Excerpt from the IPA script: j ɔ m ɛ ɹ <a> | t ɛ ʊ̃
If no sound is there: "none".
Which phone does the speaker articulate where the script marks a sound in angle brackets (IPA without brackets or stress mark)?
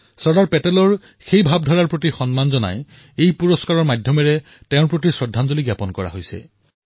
ɛ